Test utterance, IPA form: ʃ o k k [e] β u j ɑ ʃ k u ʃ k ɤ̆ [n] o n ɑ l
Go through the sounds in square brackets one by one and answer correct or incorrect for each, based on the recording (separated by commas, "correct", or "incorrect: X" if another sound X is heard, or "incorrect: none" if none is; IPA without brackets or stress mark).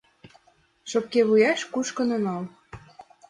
correct, correct